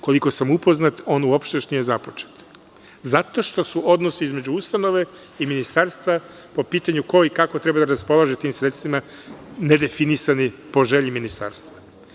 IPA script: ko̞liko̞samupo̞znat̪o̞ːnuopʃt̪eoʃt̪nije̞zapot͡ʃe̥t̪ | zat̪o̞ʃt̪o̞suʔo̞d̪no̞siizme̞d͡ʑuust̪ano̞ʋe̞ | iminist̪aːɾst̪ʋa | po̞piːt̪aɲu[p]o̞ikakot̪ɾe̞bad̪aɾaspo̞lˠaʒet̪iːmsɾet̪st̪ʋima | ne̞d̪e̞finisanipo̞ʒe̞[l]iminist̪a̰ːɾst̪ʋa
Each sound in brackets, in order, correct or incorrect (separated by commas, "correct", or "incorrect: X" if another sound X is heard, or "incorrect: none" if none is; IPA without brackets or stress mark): incorrect: k, incorrect: ʎ